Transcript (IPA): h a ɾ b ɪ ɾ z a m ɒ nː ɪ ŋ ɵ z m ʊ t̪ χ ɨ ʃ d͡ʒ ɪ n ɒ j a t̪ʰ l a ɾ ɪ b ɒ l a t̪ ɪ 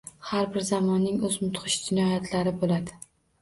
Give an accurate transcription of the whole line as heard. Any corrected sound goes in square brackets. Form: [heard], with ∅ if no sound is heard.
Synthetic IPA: h a ɾ b ɪ ɾ z a m ɒ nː ɪ ŋ ɵ z m ʊ t̪ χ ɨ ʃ d͡ʒ ɪ n ɒ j a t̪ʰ l a ɾ ɪ b [o] l a [d̪] ɪ